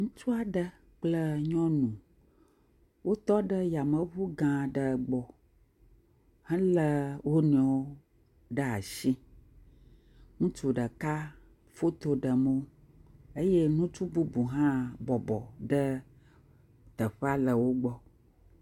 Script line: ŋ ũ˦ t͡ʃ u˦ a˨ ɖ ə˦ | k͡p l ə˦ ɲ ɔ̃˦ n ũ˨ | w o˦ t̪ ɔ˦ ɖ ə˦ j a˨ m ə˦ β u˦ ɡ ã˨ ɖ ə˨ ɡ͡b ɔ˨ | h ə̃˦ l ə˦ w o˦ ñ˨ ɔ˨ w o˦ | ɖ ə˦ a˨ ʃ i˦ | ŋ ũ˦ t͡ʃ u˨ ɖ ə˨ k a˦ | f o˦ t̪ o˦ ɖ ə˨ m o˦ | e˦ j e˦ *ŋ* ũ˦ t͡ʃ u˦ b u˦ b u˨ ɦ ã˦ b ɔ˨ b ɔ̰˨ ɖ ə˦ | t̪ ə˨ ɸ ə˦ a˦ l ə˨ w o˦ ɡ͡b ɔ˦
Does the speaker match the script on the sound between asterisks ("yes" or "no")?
no